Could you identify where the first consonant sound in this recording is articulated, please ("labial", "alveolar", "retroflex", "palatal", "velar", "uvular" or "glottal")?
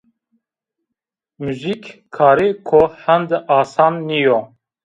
labial